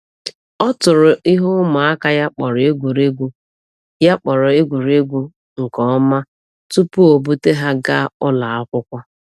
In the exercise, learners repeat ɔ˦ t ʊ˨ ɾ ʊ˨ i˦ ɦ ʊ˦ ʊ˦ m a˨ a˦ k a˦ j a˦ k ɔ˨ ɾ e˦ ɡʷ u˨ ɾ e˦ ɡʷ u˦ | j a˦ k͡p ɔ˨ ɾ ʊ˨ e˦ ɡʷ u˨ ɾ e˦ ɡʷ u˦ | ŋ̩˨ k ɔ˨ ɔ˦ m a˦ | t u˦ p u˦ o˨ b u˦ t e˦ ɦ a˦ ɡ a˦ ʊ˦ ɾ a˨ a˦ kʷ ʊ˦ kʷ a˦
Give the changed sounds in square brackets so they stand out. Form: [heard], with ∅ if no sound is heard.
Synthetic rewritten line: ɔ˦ t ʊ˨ ɾ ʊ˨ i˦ ɦ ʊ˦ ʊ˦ m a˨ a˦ k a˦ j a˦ [k͡p] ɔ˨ ɾ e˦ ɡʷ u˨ ɾ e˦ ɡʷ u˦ | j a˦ k͡p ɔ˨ ɾ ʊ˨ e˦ ɡʷ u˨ ɾ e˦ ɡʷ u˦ | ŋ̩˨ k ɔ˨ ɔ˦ m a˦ | t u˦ p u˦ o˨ b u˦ t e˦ ɦ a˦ ɡ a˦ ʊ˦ [l] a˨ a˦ kʷ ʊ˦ kʷ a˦

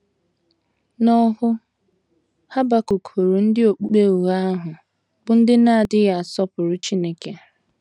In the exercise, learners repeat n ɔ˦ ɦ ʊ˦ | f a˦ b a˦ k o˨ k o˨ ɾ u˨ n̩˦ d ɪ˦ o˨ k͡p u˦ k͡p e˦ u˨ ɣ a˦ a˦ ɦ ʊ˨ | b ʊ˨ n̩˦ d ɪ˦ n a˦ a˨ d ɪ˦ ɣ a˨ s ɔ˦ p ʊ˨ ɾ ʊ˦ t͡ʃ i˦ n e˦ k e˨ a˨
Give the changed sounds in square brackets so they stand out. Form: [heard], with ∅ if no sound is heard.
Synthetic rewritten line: n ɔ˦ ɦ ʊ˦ | [h] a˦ b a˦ k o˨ k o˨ ɾ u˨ n̩˦ d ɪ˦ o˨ k͡p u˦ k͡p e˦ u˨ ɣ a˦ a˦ ɦ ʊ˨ | b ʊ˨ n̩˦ d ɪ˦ n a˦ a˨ d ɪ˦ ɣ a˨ s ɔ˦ p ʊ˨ ɾ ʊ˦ t͡ʃ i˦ n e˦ k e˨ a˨

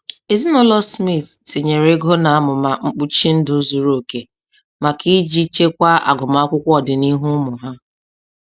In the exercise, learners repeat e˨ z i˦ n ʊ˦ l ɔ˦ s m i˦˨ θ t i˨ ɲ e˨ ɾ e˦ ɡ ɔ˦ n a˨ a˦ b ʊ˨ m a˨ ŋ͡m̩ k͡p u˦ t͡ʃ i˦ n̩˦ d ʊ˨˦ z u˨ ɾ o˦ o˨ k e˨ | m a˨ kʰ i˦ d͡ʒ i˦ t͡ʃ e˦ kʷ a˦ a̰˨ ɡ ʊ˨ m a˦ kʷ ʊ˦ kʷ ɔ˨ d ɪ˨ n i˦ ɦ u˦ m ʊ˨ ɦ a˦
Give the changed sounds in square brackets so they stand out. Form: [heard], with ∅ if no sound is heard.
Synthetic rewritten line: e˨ z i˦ n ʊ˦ l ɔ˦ s m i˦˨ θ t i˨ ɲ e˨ ɾ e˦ ɡ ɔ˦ n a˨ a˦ [m] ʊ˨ m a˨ ŋ͡m̩ k͡p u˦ t͡ʃ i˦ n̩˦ d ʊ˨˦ z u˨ ɾ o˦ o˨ k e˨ | m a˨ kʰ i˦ d͡ʒ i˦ t͡ʃ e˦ kʷ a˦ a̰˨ ɡ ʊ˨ m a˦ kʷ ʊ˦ kʷ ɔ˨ d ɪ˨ n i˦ ɦ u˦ m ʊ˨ ɦ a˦

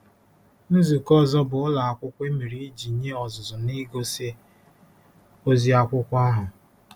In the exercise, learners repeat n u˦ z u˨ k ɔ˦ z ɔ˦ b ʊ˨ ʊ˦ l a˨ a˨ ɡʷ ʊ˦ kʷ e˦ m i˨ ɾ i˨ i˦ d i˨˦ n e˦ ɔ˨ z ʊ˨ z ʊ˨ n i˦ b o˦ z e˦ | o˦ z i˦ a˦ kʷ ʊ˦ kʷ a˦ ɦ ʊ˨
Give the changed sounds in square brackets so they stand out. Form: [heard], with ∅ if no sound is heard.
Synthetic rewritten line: n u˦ z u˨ k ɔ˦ z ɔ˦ b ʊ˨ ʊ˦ l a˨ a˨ [kʷ] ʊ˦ kʷ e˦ m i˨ ɾ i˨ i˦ [d͡ʒ] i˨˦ [ɲ] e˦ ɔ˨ z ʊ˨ z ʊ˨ n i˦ [ɡ] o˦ [s] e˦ | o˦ z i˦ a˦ kʷ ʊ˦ kʷ a˦ ɦ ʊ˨

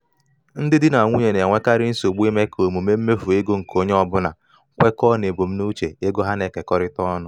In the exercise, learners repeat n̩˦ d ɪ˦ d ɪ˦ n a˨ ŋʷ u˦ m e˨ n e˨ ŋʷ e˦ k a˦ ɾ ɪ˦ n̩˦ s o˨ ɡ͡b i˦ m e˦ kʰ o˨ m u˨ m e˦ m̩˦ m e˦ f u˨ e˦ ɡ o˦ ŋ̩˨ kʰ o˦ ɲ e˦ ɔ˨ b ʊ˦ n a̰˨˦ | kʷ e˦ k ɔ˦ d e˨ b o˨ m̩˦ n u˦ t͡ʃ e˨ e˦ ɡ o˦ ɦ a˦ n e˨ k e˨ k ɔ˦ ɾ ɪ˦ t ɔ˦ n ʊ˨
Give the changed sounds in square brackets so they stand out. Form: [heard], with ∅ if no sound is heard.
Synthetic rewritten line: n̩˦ d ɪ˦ d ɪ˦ n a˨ ŋʷ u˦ [ɲ] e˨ n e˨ ŋʷ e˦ k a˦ ɾ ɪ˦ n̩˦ s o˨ ɡ͡b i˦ m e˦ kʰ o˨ m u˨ m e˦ m̩˦ m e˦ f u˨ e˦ ɡ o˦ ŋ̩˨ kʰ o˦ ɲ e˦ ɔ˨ b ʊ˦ n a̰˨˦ | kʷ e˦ k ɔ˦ [n] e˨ b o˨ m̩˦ n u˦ t͡ʃ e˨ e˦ ɡ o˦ ɦ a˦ n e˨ k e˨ k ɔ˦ ɾ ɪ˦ t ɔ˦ n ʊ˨

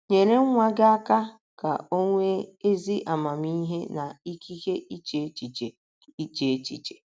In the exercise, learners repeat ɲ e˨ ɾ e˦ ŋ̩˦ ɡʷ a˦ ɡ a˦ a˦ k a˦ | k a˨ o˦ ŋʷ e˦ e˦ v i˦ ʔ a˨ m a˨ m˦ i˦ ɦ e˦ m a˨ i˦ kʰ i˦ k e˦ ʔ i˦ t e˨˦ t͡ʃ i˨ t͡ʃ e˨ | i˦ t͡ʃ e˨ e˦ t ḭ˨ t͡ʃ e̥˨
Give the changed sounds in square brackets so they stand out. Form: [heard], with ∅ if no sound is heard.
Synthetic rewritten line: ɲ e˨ ɾ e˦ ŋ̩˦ [ŋʷ] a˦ ɡ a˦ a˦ k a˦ | k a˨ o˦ ŋʷ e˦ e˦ [z] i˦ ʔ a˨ m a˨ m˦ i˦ ɦ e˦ [n] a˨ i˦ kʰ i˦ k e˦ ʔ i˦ [t͡ʃ] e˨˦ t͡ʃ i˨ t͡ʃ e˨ | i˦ t͡ʃ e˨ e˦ [t͡ʃ] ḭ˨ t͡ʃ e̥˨

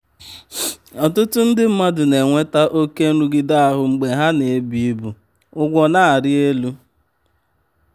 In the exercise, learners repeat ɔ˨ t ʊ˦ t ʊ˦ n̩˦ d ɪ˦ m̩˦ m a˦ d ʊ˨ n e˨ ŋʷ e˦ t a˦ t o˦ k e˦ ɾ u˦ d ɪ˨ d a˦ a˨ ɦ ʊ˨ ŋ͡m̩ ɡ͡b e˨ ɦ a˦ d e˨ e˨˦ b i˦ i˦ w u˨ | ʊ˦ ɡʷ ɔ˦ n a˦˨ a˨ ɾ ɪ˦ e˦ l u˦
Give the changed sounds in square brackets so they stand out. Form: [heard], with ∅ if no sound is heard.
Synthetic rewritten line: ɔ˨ t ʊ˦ t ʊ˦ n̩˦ d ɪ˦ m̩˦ m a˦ d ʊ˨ n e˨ ŋʷ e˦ t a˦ [ʔ] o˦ k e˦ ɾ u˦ [ɡ] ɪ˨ d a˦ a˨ ɦ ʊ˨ ŋ͡m̩ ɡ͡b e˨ ɦ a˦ [n] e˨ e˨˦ b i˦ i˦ [b] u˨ | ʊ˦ ɡʷ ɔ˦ n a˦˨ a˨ ɾ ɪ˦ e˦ l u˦

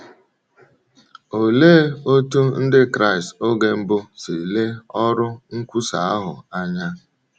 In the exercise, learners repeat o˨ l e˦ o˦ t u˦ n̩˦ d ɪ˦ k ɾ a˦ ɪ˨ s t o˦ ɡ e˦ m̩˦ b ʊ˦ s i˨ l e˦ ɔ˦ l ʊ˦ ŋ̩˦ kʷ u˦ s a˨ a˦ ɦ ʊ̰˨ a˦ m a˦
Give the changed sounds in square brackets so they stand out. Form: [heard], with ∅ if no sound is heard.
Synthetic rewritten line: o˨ l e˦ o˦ t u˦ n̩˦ d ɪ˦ k ɾ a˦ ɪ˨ s t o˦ ɡ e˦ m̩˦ b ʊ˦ s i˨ l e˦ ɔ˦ [ɾ] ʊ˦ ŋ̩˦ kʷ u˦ s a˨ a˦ ɦ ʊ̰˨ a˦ [ɲ] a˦

